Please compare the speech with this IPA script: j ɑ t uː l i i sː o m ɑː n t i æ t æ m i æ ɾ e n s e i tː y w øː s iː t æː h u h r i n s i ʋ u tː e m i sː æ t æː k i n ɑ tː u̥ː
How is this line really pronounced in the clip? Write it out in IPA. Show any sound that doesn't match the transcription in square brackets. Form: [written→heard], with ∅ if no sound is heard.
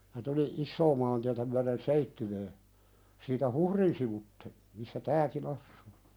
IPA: j ɑ t [uː→u] l i i sː [o→oː] m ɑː n t i æ t æ m [i→y] æ ɾ e n s e i tː y w øː s iː t [æː→æ] h u h r i n s i ʋ u tː e m i sː æ t æː k i n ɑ [tː→sː] u̥ː